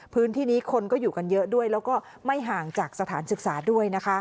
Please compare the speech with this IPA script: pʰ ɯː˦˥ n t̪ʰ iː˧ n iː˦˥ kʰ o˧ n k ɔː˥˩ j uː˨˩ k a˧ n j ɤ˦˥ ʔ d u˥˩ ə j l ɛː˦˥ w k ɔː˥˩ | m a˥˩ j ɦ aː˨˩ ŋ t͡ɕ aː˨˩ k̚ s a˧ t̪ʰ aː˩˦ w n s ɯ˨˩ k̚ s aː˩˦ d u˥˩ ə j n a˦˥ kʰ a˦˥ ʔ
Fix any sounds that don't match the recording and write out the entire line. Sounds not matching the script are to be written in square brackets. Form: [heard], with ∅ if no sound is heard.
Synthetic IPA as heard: pʰ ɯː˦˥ n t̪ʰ [iː˥˩] n iː˦˥ kʰ o˧ n k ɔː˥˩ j uː˨˩ k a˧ n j ɤ˦˥ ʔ d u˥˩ ə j l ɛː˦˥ w k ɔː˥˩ | m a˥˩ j ɦ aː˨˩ ŋ t͡ɕ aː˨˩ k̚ s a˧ t̪ʰ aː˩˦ [∅] n s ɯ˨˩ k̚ s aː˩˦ d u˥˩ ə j n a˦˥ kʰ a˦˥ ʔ

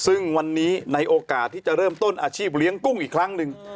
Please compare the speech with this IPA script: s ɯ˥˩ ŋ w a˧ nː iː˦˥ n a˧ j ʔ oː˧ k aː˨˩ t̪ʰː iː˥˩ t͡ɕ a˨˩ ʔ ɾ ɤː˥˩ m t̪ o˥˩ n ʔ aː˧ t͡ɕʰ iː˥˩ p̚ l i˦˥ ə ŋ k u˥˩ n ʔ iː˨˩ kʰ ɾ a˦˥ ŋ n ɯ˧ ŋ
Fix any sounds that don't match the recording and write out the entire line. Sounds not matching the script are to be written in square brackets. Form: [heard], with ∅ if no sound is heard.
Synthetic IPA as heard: s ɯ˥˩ ŋ w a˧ nː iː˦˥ n a˧ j ʔ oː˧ k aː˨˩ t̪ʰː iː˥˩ t͡ɕ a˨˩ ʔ ɾ ɤː˥˩ m t̪ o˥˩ n ʔ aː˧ t͡ɕʰ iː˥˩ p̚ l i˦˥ ə ŋ k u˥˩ [ŋ] ʔ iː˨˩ kʰ ɾ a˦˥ ŋ n ɯ˧ ŋ

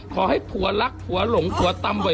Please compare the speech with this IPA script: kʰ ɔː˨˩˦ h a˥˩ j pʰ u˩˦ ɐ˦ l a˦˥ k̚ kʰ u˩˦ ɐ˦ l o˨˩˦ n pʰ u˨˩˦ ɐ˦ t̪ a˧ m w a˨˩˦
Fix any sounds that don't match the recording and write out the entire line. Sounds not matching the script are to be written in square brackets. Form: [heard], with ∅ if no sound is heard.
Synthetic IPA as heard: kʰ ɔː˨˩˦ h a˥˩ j pʰ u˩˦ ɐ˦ l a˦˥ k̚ [pʰ] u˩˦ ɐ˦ l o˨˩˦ [ŋ] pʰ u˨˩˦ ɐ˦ t̪ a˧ m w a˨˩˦

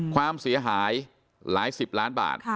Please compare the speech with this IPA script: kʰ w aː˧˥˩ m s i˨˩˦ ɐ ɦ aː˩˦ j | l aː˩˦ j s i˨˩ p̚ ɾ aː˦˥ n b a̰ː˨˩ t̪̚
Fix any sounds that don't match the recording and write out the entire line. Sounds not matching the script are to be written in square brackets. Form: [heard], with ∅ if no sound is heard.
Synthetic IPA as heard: kʰ w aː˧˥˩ m s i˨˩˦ ɐ ɦ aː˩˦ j | l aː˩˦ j s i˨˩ p̚ [l] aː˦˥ n b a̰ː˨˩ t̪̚

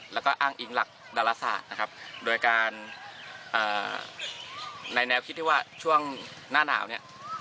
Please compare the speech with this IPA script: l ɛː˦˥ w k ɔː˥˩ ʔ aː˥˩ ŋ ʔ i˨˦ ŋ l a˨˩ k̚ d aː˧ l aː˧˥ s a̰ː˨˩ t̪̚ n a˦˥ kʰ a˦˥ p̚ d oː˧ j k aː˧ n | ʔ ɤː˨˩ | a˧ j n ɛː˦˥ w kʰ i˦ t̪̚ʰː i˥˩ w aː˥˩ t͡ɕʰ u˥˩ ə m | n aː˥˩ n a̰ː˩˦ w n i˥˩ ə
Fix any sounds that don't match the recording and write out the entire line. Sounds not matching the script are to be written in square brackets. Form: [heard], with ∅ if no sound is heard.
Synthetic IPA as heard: l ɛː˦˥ w k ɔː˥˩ ʔ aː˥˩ ŋ ʔ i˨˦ ŋ l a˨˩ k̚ d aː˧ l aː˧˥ s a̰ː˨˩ t̪̚ n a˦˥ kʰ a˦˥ p̚ d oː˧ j k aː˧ n | ʔ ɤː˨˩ | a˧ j n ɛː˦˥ w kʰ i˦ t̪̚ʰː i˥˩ w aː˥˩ t͡ɕʰ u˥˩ ə [ŋ] | n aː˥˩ n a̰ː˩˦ w n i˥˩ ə

